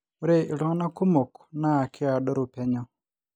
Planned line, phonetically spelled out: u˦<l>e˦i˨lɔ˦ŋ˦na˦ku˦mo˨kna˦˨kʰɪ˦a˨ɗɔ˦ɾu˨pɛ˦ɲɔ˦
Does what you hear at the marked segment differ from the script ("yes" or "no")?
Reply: yes